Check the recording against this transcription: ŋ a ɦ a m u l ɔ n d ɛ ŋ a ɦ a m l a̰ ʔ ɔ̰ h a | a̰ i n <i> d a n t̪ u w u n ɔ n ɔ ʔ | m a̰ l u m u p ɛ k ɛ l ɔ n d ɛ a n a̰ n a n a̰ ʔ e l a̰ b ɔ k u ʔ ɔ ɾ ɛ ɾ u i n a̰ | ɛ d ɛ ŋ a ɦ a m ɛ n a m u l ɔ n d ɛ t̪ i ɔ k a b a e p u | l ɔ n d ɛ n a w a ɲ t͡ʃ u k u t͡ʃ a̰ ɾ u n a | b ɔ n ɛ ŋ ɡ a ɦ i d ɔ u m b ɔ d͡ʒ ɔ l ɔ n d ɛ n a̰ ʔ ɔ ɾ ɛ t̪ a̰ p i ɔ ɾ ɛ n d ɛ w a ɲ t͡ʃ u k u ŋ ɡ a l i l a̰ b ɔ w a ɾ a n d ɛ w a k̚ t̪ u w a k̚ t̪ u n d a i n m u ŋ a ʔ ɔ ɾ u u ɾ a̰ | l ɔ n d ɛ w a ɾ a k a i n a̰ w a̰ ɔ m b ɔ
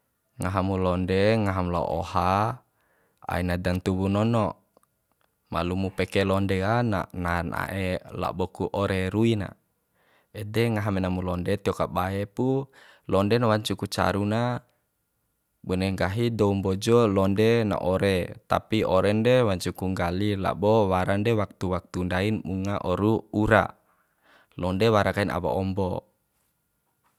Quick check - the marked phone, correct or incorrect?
incorrect